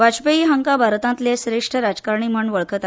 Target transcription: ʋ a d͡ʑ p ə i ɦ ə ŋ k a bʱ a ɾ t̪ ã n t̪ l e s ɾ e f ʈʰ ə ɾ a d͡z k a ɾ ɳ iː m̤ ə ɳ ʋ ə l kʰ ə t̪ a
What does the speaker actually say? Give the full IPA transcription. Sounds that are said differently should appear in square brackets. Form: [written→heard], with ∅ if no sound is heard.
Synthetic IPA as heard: ʋ a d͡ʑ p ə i ɦ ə ŋ k a bʱ a ɾ t̪ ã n t̪ l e s ɾ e [f→ʂ] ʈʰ ə ɾ a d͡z k a ɾ ɳ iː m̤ ə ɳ ʋ ə [l→ɭ] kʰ ə t̪ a